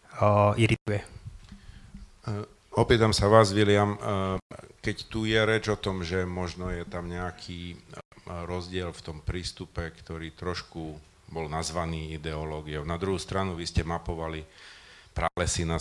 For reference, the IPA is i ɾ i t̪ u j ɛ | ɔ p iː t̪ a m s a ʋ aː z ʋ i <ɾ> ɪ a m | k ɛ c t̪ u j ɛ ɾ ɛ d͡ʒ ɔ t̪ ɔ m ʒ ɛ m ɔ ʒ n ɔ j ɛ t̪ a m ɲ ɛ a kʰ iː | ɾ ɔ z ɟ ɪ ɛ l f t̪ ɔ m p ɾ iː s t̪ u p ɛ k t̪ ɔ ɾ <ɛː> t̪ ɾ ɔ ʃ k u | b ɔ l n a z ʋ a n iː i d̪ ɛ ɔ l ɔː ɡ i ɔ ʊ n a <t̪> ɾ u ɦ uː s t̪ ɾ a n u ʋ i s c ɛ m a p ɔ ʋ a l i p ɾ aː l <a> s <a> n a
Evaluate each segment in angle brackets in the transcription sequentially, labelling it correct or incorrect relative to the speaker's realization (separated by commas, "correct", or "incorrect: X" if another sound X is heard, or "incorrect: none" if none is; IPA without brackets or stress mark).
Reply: incorrect: l, incorrect: iː, incorrect: d̪, incorrect: ɛ, incorrect: i